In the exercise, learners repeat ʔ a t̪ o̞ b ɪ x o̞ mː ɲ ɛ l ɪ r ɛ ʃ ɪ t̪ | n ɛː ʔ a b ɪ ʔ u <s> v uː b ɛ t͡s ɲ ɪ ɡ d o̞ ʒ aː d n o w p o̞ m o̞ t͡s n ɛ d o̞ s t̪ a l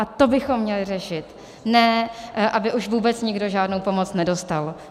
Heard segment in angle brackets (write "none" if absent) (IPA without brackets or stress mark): ʃ